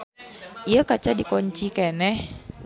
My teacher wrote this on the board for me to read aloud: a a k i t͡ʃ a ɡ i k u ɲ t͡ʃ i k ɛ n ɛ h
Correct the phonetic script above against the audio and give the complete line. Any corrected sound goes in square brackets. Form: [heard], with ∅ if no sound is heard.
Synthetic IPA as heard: [i] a k [a] t͡ʃ a [d] i k [ɔ] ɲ t͡ʃ i k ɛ n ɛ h